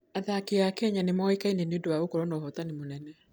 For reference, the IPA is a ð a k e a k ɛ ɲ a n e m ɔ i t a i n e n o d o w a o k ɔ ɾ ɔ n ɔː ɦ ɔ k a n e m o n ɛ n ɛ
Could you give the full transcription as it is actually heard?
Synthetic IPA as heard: a ð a k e a k ɛ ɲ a n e m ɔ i k a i n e n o d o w a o k ɔ ɾ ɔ n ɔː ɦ ɔ t a n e m o n ɛ n ɛ